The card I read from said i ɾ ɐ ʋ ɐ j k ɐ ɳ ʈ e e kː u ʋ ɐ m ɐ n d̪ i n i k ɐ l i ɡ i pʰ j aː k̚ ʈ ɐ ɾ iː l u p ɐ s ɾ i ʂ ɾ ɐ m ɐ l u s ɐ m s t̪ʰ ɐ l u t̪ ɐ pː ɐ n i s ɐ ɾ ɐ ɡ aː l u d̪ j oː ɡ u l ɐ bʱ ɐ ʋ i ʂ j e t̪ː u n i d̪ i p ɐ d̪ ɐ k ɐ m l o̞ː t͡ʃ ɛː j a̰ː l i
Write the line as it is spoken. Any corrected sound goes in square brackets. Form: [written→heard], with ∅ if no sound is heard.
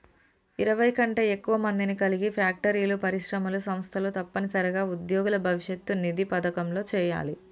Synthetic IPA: i ɾ ɐ ʋ ɐ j k ɐ ɳ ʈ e e kː u ʋ ɐ m ɐ n d̪ i n i k ɐ l i ɡ i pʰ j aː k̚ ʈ ɐ ɾ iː l u p ɐ [s→∅] ɾ i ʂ ɾ ɐ m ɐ l u s ɐ m s t̪ʰ ɐ l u t̪ ɐ pː ɐ n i s ɐ ɾ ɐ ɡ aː [l→∅] u d̪ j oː ɡ u l ɐ bʱ ɐ ʋ i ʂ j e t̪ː u n i d̪ i p ɐ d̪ ɐ k ɐ m l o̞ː t͡ʃ ɛː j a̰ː l i